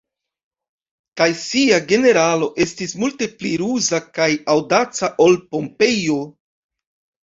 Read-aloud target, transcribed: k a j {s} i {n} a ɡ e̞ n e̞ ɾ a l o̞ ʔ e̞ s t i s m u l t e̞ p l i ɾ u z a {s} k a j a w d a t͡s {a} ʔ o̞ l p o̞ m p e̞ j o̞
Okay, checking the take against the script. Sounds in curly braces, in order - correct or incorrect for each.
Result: correct, incorrect, incorrect, correct

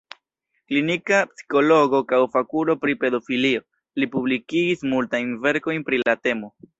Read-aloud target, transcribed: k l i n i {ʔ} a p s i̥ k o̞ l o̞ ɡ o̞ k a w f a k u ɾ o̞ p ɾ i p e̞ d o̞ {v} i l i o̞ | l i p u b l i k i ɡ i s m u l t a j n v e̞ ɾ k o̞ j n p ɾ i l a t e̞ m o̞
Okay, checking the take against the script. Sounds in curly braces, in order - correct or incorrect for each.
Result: incorrect, incorrect

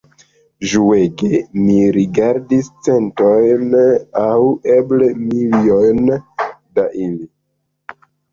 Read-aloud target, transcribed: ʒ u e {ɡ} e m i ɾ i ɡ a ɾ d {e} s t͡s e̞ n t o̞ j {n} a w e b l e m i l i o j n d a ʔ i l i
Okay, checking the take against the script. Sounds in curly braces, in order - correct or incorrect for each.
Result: correct, incorrect, correct

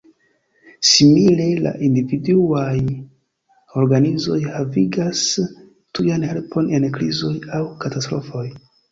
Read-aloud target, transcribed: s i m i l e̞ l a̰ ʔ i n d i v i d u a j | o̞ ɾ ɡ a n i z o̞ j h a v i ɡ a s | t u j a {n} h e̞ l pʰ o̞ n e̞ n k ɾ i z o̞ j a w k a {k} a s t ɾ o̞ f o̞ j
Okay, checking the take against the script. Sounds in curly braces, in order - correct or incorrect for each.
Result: correct, incorrect

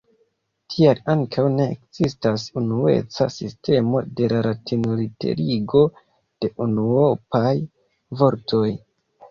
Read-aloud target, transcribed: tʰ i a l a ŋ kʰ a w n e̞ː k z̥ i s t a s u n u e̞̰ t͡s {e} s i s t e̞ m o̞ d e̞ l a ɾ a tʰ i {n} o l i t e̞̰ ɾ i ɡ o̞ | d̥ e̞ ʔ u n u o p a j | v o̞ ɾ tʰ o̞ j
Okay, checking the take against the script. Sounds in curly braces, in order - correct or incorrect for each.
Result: incorrect, correct

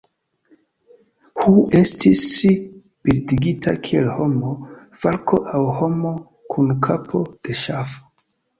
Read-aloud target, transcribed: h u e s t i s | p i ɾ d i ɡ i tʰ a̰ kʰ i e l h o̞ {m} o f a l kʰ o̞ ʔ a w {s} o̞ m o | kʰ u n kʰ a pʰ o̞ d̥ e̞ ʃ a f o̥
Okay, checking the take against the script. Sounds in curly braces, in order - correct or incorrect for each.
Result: correct, incorrect

